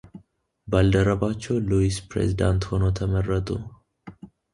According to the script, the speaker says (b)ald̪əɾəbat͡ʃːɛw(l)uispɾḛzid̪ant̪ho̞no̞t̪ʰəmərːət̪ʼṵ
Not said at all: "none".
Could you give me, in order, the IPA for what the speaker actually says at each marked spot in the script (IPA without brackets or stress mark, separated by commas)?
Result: b, l